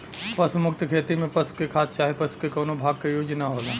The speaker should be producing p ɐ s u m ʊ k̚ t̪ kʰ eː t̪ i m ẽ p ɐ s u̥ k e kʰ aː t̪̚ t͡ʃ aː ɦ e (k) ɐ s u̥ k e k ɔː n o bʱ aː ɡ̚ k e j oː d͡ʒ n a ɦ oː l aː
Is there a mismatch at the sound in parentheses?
yes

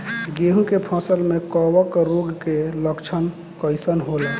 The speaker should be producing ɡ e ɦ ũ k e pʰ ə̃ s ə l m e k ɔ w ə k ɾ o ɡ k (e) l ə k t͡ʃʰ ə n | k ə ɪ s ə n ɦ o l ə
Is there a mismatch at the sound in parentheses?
no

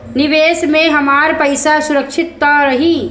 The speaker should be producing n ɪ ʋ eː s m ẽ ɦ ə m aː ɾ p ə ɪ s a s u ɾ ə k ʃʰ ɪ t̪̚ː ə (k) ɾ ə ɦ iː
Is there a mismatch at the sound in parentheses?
yes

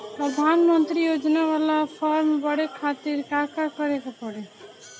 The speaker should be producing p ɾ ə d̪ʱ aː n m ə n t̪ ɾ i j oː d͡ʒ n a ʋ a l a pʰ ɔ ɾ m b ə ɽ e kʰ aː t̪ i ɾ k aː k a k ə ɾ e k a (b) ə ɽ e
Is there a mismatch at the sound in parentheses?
yes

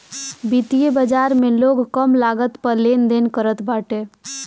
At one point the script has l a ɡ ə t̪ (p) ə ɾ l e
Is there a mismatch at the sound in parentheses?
no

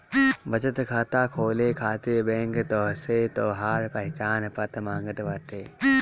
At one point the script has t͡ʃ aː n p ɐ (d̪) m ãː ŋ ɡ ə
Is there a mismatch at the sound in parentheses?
yes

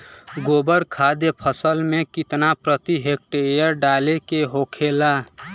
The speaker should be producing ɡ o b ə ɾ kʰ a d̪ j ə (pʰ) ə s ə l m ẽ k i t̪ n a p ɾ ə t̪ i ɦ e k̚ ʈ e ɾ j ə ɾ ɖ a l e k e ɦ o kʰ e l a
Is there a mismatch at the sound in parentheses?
no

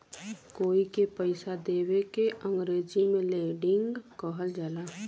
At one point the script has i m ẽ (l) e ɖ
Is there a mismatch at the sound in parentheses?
no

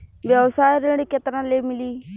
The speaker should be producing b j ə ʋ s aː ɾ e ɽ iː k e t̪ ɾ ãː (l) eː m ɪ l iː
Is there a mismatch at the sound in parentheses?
no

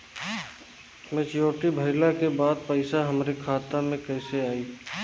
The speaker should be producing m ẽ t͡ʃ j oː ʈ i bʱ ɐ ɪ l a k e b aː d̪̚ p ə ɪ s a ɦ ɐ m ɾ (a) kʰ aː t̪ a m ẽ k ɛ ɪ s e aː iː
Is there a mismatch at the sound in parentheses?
yes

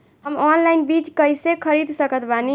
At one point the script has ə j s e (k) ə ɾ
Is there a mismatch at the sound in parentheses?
yes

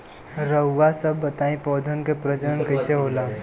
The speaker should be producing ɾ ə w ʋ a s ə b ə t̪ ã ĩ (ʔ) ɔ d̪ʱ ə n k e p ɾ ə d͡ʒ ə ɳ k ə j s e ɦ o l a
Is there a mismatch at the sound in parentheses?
yes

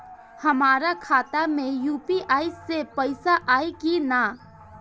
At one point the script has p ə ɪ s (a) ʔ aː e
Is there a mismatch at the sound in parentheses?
no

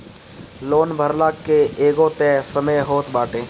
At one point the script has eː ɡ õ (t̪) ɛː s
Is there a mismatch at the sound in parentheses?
no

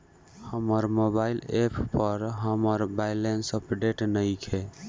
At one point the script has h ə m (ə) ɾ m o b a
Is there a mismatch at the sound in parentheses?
no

